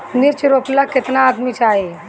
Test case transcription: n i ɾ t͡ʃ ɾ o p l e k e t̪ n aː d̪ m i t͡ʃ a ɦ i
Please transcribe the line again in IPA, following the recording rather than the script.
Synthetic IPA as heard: n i ɾ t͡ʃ ɾ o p l a k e t̪ n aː d̪ m i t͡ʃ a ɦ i

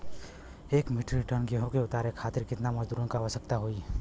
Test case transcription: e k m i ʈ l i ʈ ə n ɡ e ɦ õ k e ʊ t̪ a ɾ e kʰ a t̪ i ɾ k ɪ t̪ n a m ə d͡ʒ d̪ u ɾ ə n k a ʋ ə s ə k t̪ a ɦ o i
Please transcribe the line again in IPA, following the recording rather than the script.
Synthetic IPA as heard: e k m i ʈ ɾ i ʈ ə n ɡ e ɦ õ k e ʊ t̪ a ɾ e kʰ a t̪ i ɾ k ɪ t̪ n a m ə d͡ʒ d̪ u ɾ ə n k a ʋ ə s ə k t̪ a ɦ o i

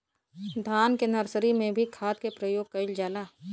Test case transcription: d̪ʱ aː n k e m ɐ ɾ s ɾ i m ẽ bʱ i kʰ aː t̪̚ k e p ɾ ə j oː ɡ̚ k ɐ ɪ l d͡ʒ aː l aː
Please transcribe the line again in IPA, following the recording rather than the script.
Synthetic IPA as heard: d̪ʱ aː n k e n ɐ ɾ s ɾ i m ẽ bʱ i kʰ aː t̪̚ k e p ɾ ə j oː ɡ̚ k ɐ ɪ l d͡ʒ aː l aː

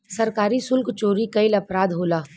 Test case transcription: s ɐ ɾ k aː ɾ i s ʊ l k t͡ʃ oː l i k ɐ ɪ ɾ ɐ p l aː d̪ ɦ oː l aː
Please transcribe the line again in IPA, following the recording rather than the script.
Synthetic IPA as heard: s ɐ ɾ k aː ɾ i s ʊ l k t͡ʃ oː ɾ i k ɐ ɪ l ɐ p ɾ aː d̪ ɦ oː l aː

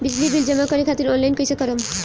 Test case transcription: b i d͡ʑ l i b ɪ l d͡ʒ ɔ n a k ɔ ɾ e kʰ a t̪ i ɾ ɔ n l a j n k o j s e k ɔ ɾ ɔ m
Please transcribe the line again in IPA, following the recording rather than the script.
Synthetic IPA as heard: b i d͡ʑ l i b i l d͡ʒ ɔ m a k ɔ ɾ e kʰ a t̪ i ɾ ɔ n l a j n k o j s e k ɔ ɾ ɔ m

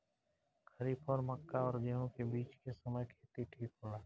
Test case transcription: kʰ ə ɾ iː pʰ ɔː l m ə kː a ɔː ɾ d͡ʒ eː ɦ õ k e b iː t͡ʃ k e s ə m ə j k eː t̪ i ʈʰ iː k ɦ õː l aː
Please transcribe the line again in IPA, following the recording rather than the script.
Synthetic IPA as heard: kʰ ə ɾ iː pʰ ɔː ɾ m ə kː a ɔː ɾ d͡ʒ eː ɦ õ k e b iː t͡ʃ k e s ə m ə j kʰ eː t̪ i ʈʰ iː k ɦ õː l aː

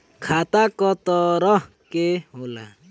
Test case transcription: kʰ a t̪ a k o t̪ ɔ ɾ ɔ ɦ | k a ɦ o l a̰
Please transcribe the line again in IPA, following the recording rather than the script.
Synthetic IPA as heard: kʰ a t̪ a k ɔ t̪ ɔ ɾ ɔ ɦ | k e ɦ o l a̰

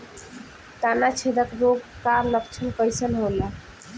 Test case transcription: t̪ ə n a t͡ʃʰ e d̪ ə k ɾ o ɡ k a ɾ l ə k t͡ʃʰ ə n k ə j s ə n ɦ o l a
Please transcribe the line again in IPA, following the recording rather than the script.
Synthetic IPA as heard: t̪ a n a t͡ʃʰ e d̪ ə k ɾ o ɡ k a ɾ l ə k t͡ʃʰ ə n k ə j s ə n ɦ o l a

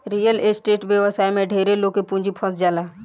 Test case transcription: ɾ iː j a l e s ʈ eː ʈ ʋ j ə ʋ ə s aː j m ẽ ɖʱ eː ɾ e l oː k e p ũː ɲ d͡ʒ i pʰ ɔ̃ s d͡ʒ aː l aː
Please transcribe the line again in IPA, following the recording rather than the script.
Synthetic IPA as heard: ɾ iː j ə l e s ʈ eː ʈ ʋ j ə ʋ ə s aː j m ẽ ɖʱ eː ɾ e l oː k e p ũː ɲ d͡ʒ i pʰ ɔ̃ s d͡ʒ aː l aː

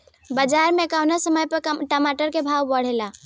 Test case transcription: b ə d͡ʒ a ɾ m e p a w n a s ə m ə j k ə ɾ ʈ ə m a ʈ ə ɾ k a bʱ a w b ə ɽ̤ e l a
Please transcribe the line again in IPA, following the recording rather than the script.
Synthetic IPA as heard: b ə d͡ʒ a ɾ m e k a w n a s ə m ə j p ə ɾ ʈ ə m a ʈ ə ɾ k e bʱ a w b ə ɽ̤ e l a

